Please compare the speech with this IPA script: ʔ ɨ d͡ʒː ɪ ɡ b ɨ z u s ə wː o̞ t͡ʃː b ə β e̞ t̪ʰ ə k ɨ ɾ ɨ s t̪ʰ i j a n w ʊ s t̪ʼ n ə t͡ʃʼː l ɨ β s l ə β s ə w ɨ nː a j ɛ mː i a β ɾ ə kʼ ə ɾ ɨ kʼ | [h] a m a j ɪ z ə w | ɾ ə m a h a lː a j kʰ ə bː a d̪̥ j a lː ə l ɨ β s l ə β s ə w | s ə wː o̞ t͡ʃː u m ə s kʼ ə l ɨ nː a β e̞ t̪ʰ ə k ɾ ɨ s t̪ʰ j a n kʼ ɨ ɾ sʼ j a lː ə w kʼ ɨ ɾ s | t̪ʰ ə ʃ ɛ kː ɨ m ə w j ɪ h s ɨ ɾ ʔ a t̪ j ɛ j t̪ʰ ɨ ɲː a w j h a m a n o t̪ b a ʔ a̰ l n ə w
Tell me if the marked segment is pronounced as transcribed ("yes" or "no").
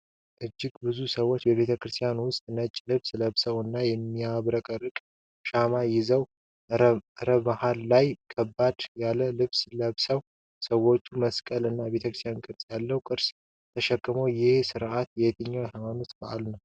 no